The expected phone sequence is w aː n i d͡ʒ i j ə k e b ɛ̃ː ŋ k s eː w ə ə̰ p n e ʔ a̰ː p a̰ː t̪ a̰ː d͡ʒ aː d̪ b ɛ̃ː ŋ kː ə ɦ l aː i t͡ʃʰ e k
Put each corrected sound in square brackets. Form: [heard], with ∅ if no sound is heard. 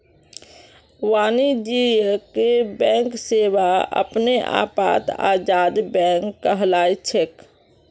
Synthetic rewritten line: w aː n i d͡ʒ i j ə k e b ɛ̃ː ŋ k s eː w [a] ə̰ p n e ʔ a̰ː p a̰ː t̪ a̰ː d͡ʒ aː d̪ b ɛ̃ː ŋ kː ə ɦ l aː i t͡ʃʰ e k